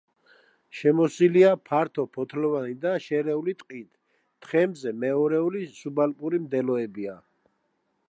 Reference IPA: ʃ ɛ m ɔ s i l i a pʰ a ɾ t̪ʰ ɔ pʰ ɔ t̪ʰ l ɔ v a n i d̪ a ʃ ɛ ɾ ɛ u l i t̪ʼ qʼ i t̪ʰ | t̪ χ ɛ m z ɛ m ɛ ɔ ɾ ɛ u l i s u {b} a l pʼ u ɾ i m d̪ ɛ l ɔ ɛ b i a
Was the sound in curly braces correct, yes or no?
yes